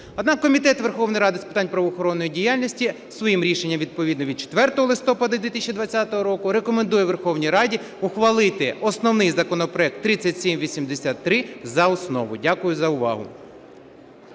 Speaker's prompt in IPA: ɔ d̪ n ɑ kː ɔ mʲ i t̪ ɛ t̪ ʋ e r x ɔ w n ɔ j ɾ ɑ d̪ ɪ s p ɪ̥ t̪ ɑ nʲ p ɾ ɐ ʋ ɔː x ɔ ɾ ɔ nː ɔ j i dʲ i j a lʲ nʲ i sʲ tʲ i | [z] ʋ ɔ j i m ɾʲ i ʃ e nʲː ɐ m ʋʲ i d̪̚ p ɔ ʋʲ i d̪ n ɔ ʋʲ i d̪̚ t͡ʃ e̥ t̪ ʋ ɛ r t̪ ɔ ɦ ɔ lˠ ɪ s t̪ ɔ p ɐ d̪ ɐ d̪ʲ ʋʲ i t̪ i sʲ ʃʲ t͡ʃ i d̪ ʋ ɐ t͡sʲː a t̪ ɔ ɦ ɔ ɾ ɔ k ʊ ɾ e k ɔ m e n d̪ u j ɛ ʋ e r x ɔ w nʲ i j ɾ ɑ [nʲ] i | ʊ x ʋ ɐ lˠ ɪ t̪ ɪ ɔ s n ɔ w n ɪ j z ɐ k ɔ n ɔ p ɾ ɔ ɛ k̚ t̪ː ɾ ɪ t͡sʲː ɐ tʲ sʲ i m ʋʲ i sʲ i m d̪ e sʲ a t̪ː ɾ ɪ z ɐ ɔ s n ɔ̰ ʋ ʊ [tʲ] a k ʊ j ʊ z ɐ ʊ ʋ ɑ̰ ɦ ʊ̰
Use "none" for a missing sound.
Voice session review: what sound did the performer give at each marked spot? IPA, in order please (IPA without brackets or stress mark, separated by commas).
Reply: s, dʲ, dʲ